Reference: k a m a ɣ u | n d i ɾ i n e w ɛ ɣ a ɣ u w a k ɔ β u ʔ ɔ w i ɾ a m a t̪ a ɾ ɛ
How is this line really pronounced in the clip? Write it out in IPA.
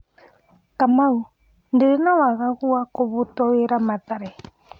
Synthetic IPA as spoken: k a m a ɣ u | n d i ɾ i n a w a ɣ a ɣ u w a k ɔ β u t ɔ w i ɾ a m a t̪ a ɾ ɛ